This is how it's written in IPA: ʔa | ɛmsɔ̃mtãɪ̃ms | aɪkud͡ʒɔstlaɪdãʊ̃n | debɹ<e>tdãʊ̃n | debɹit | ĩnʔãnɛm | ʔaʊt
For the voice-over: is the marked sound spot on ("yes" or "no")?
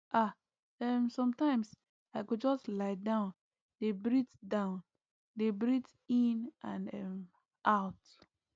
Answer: no